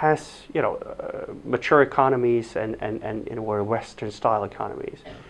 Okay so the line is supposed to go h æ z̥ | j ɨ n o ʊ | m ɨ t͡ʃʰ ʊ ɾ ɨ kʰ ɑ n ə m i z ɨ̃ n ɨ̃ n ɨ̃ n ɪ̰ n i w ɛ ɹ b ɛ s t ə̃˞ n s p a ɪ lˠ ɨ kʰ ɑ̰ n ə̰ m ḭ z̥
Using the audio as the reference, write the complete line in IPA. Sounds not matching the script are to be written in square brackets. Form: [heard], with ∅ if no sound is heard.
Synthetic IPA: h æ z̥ | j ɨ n o ʊ | m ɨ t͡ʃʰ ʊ [ɹ] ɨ kʰ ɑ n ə m i z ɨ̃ n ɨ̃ n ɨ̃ n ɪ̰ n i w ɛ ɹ [w] ɛ s t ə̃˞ n s [t] a ɪ lˠ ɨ kʰ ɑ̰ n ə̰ m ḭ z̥